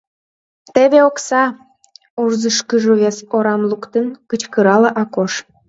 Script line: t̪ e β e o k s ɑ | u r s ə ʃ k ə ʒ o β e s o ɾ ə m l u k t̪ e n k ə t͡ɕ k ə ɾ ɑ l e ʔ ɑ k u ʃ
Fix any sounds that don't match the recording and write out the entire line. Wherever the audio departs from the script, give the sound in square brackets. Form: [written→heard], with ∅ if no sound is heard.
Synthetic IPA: t̪ e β e o k s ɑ | u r [s→z] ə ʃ k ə ʒ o β e s o ɾ [ə→ɑ] m l u k t̪ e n k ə t͡ɕ k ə ɾ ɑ l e ʔ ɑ k [u→o] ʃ